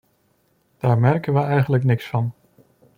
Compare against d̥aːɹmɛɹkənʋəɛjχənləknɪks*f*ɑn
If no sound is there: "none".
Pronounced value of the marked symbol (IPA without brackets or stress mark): f